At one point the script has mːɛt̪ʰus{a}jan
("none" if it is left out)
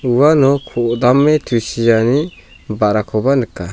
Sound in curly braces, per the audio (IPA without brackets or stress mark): i